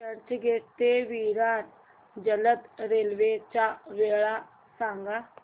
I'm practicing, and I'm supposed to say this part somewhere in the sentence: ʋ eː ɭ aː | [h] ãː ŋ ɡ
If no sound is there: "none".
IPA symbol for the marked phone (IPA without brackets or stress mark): s